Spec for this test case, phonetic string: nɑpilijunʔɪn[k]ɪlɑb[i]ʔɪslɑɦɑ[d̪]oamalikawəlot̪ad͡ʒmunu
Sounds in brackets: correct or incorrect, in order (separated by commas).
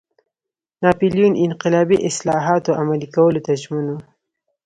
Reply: incorrect, correct, incorrect